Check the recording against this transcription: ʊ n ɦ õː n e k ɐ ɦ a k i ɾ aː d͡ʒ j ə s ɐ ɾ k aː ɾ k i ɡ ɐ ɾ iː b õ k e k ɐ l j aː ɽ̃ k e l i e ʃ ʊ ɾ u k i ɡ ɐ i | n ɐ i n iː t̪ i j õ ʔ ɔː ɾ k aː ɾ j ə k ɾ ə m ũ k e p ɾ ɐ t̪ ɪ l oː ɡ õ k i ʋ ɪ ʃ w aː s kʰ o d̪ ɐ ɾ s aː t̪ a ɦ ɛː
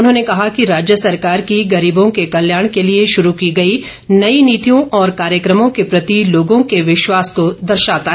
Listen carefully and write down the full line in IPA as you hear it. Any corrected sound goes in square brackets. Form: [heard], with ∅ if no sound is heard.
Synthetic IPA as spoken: ʊ n ɦ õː n e k ɐ ɦ a k i ɾ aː d͡ʒ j ə s ɐ ɾ k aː ɾ k i ɡ ɐ ɾ iː b õ k e k ɐ l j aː ɽ̃ k e l i e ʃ ʊ ɾ u k i ɡ ɐ i | n ɐ i n iː t̪ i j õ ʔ ɔː ɾ k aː ɾ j ə k ɾ ə m [õ] k e p ɾ ɐ t̪ [i] l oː ɡ õ k [e] ʋ ɪ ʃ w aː s [k] o d̪ ɐ ɾ [ʃ] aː t̪ a ɦ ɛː